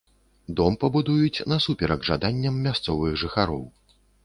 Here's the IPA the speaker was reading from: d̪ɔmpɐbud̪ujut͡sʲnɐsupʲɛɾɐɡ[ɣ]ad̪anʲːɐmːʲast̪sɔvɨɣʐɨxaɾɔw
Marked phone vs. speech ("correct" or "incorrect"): incorrect